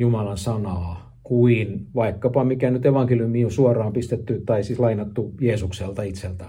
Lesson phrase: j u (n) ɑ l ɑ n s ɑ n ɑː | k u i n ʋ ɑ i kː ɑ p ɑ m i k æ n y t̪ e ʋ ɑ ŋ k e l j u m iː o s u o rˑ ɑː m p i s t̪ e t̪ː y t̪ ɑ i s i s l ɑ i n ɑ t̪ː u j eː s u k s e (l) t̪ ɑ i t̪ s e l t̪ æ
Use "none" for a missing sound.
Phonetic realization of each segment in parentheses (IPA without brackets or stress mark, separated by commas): m, l